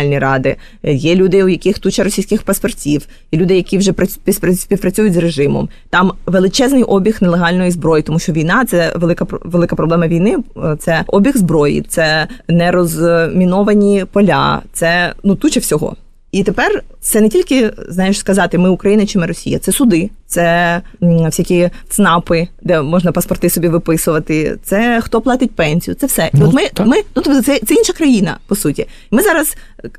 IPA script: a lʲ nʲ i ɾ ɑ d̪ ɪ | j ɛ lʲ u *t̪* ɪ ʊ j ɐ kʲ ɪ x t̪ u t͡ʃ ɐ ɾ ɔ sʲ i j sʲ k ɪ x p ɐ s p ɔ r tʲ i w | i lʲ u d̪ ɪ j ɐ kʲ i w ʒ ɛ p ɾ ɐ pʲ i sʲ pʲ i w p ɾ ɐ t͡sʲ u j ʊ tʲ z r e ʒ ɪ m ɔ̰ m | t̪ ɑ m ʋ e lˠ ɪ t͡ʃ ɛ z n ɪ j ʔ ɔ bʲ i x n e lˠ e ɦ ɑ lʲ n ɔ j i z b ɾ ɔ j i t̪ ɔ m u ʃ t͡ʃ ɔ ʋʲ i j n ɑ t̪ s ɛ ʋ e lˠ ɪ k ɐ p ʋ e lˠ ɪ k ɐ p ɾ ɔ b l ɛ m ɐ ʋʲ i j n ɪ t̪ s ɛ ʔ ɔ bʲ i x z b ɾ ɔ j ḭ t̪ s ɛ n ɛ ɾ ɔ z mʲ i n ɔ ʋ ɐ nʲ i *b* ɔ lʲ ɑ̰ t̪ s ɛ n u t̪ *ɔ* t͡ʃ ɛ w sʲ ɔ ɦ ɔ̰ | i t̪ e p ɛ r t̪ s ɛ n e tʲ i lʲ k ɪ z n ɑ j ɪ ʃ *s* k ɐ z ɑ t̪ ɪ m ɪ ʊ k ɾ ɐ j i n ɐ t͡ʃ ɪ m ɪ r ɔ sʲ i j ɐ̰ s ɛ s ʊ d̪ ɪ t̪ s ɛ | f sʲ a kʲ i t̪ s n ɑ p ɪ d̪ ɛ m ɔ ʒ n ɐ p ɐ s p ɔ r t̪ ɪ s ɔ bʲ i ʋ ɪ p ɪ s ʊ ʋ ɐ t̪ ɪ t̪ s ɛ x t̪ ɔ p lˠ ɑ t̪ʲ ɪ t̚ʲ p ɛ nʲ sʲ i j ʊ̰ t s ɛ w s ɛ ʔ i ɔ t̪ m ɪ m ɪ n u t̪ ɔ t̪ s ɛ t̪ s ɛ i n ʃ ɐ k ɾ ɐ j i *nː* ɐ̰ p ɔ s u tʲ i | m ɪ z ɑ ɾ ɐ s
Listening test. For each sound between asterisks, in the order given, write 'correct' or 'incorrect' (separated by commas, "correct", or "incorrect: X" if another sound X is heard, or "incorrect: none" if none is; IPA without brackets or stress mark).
incorrect: d̪, incorrect: p, incorrect: u, correct, incorrect: n